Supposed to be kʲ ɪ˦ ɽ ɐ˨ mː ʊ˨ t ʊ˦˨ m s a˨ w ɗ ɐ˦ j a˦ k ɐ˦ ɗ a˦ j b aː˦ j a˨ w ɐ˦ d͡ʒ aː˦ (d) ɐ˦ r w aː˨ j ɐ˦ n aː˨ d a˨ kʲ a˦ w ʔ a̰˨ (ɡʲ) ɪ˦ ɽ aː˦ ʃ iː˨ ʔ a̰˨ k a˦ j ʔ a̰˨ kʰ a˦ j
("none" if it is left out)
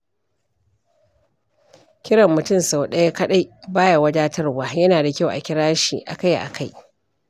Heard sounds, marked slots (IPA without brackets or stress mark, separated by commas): t, kʲ